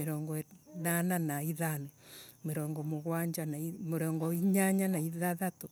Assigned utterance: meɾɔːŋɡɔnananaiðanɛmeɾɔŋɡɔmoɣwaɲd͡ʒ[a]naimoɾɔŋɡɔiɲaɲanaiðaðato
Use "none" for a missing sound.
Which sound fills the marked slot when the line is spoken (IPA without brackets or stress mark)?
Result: a